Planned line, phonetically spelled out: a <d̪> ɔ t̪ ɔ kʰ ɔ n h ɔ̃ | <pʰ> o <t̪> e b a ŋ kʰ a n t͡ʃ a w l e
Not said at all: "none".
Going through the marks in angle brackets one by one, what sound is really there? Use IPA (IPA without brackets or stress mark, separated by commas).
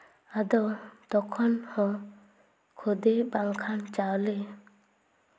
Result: d̪, kʰ, d̪